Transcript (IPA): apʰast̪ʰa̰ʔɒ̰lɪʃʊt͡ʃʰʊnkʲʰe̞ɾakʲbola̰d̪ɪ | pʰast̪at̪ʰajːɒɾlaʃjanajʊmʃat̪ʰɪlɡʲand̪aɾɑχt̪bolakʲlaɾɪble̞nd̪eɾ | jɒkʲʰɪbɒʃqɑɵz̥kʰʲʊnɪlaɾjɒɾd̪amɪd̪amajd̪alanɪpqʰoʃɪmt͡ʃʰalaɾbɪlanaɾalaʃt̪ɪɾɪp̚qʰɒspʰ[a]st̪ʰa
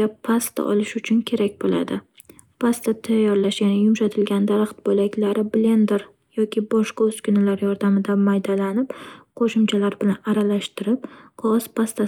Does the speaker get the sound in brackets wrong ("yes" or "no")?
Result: no